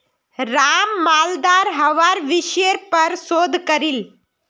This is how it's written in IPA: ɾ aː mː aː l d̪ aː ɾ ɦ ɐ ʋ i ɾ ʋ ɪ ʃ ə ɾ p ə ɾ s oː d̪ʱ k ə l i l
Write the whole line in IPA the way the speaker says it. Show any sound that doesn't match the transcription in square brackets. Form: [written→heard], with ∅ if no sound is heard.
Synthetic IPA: ɾ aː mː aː l d̪ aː ɾ ɦ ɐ ʋ [i→a] ɾ ʋ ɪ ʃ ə ɾ p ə ɾ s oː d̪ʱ k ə [l→ɾ] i l